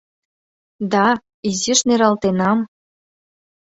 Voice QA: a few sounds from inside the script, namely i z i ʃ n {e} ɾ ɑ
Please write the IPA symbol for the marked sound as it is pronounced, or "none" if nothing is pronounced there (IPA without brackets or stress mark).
e